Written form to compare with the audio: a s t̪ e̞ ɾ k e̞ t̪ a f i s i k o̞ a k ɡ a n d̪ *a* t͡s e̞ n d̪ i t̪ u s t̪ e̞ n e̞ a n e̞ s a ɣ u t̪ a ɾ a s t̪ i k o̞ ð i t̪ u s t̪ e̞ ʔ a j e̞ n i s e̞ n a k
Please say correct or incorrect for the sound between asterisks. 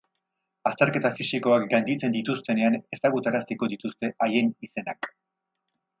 incorrect